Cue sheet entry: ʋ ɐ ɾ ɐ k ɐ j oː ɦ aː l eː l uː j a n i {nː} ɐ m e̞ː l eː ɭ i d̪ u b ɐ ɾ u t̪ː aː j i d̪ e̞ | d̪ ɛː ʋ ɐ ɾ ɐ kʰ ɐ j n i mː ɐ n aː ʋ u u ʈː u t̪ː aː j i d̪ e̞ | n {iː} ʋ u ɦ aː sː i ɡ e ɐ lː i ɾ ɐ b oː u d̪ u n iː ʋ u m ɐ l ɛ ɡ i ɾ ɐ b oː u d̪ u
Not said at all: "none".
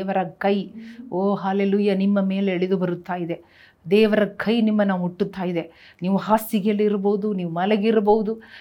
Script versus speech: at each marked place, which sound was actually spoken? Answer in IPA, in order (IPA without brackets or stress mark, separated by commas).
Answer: mː, iː